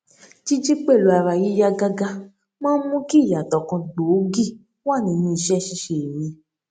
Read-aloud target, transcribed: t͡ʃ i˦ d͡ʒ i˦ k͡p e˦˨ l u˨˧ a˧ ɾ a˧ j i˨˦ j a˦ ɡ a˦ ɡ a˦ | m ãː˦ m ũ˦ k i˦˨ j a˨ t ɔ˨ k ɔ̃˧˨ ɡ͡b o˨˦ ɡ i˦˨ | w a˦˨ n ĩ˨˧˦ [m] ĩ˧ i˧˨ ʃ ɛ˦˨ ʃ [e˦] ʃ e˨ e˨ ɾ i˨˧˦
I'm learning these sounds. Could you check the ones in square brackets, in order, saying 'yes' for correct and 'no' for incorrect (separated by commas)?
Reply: no, no